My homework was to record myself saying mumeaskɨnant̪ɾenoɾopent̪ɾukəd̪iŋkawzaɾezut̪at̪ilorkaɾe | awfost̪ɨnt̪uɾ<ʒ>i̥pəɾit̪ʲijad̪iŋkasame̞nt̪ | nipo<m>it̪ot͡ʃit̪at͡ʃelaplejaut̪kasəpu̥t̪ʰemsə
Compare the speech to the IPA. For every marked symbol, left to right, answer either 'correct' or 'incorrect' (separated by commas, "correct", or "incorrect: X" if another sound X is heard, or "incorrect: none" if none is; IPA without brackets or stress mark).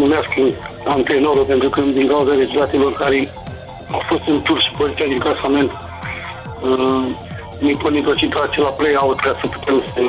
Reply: incorrect: ʃ, incorrect: n